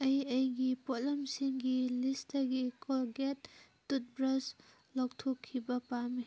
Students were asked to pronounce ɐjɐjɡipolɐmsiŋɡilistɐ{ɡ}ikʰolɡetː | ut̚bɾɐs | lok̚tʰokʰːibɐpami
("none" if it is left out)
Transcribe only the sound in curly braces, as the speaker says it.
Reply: ɡ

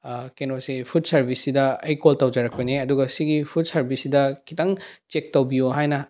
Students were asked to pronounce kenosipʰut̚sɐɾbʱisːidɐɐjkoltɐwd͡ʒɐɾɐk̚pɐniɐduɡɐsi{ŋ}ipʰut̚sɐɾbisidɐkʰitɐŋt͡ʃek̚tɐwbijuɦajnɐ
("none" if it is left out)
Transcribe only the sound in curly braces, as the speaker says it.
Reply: ɡ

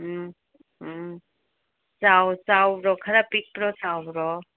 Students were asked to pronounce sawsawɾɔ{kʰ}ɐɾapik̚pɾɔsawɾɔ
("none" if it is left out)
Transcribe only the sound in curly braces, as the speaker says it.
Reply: kʰ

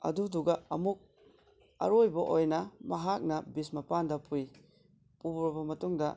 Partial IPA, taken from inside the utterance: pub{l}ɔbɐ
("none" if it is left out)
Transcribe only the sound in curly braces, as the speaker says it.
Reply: ɾ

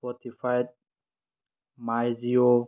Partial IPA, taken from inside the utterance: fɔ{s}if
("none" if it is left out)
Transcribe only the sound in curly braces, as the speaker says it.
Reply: t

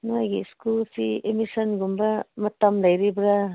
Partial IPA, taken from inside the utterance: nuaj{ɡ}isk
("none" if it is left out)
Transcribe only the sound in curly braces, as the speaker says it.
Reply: ɡ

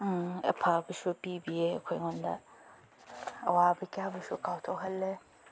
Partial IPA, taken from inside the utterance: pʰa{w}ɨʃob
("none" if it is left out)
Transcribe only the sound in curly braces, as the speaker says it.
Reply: b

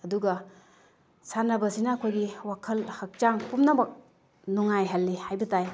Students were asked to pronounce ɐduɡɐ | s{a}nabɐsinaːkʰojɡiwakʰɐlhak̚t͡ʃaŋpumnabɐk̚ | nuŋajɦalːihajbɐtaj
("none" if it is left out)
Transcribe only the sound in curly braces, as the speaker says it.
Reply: a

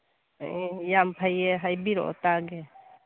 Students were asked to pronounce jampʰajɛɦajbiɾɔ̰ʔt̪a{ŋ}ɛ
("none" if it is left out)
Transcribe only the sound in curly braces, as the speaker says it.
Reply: ɡ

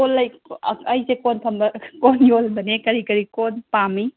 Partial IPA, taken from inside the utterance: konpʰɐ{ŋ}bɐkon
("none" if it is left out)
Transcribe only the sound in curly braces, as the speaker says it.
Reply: m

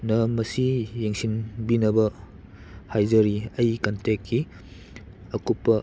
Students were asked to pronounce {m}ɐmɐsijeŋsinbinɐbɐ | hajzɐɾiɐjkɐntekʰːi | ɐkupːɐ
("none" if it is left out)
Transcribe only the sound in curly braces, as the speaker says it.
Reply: n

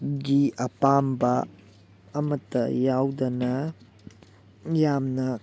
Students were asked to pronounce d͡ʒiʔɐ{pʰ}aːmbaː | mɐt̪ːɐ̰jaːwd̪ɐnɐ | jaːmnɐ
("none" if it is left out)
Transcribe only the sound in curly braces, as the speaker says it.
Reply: p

